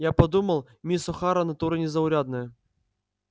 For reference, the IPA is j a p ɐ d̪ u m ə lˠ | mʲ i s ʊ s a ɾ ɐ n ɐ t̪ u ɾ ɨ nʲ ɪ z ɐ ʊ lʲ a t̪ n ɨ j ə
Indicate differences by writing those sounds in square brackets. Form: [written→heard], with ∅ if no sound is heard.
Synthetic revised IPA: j a p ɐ d̪ u m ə lˠ | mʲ i s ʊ [s→x] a ɾ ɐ n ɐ t̪ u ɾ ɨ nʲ ɪ z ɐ ʊ [lʲ→ɾʲ] a [t̪→d̪] n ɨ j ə